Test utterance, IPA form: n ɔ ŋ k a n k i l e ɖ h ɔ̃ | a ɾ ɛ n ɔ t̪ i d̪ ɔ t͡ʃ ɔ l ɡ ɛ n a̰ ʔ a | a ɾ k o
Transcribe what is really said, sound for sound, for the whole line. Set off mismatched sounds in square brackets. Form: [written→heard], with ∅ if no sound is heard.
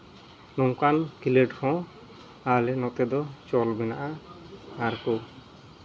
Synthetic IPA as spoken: n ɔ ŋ k a n k i l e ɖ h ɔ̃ | a [ɾ→l] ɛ n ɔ t̪ [i→ɛ] d̪ ɔ t͡ʃ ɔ l [ɡ→b] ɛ n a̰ ʔ a | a ɾ k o